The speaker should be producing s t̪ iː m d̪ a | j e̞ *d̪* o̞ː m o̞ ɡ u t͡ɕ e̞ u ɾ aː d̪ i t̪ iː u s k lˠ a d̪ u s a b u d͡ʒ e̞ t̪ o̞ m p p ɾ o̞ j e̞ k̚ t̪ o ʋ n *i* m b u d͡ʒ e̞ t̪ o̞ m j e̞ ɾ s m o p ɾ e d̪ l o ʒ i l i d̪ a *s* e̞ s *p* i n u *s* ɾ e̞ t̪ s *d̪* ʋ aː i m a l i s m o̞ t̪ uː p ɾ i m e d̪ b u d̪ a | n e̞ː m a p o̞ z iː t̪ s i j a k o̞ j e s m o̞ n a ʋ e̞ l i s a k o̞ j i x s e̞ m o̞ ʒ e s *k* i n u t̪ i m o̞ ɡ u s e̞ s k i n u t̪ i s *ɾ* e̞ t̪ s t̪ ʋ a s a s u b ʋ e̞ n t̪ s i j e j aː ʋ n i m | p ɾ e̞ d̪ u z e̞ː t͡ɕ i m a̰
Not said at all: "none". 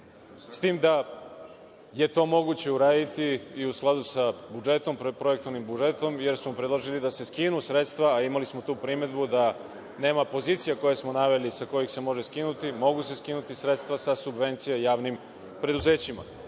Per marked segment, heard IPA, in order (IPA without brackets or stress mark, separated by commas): t̪, i, s, k, s, t̪, k, ɾ